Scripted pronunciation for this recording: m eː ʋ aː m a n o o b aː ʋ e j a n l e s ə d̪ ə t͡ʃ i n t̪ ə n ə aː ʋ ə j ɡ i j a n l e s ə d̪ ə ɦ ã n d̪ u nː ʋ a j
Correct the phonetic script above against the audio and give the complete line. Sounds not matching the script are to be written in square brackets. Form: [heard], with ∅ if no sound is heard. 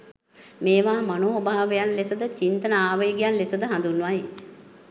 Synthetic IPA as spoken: m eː ʋ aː m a n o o b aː ʋ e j a n l e s ə d̪ ə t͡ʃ i n t̪ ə n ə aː ʋ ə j ɡ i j a n l e s ə d̪ ə ɦ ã n d̪ u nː ʋ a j